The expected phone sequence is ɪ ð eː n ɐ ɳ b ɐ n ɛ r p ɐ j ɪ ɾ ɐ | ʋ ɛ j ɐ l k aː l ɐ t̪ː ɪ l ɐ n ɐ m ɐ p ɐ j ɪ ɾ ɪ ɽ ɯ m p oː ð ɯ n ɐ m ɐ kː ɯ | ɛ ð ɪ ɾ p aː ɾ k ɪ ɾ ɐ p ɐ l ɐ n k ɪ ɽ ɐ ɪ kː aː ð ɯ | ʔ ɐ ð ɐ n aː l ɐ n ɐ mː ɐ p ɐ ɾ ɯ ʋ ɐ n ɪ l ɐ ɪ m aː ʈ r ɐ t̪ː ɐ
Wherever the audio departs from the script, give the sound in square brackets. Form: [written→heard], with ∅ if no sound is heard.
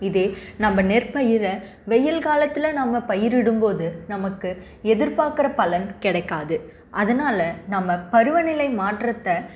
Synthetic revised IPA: ɪ ð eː n ɐ [ɳ→m] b ɐ n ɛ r p ɐ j ɪ ɾ ɐ | ʋ ɛ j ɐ l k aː l ɐ t̪ː ɪ l ɐ n ɐ m ɐ p ɐ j ɪ ɾ ɪ ɽ ɯ m p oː ð ɯ n ɐ m ɐ kː ɯ | ɛ ð ɪ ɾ p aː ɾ k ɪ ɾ ɐ p ɐ l ɐ n k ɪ ɽ ɐ ɪ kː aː ð ɯ | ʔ ɐ ð ɐ n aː l ɐ n ɐ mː ɐ p ɐ ɾ ɯ ʋ ɐ n ɪ l ɐ ɪ m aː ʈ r ɐ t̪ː ɐ